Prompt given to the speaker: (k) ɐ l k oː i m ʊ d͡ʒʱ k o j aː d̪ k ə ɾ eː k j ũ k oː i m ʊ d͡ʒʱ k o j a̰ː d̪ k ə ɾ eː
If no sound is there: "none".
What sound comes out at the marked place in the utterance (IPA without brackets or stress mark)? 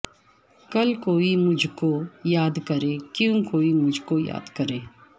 k